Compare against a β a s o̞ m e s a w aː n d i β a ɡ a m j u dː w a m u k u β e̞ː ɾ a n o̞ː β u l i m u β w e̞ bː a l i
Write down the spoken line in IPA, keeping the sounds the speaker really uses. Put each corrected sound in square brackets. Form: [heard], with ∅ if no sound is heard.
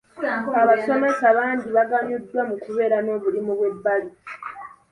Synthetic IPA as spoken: a β a s o̞ m e s a [β] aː n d i β a ɡ a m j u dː w a m u k u β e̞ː ɾ a n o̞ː β u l i m u β w e̞ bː a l i

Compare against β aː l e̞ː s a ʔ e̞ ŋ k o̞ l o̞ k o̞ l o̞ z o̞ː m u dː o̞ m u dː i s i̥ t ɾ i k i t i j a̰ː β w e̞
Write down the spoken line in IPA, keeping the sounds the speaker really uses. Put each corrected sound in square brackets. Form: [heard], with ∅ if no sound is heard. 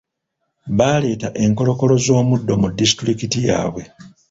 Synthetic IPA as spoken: β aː l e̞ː [t] a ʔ e̞ ŋ k o̞ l o̞ k o̞ l o̞ z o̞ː m u dː o̞ m u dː i s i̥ t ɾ i k i t i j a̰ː β w e̞

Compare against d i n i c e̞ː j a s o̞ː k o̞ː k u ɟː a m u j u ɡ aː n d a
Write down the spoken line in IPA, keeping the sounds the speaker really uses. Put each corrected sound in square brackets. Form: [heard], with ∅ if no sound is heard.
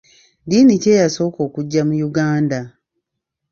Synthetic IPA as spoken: d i n i c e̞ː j a s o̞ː k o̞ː k u ɟː a m u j u ɡ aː n d a

